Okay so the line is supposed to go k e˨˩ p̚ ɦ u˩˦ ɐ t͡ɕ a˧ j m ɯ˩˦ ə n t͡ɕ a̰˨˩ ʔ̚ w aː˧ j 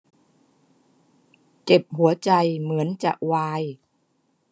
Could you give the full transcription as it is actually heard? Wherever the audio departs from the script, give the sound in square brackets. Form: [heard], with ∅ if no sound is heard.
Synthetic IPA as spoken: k e˨˩ p̚ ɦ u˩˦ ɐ t͡ɕ a˧ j m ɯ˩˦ ə n t͡ɕ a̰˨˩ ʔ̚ w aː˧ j